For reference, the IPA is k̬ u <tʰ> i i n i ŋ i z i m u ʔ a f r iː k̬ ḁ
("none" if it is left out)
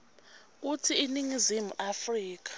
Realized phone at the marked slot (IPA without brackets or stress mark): tʰ